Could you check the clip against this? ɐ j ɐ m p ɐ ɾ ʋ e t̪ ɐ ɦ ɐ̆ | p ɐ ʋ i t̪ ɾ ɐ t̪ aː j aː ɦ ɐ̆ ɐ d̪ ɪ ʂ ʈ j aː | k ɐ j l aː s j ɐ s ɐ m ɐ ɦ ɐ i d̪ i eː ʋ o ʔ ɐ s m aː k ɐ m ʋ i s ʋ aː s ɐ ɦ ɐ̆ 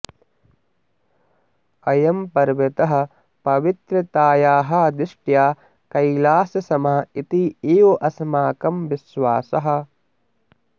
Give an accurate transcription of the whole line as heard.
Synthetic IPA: ɐ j ɐ m p ɐ ɾ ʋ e t̪ ɐ ɦ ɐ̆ | p ɐ ʋ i t̪ ɾ ɐ t̪ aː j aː ɦ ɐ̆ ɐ d̪ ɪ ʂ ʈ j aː | k ɐ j l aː s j ɐ s ɐ m ɐ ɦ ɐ i t̪ i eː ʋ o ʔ ɐ s m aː k ɐ m ʋ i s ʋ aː s ɐ ɦ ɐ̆